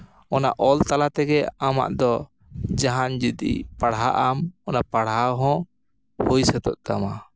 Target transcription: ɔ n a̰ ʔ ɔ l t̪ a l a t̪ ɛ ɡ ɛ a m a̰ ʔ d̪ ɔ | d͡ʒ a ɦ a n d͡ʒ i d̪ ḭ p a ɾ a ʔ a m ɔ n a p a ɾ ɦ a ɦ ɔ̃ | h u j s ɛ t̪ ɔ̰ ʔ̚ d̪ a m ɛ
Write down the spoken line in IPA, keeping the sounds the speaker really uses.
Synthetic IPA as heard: ɔ n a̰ ʔ ɔ l t̪ a l a t̪ ɛ ɡ ɛ a m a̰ ʔ d̪ ɔ | d͡ʒ a ɦ a n d͡ʒ i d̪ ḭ p a ɽ a ʔ a m ɔ n a p a ɽ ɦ a ɦ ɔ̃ | h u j s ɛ t̪ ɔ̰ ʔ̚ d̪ a m a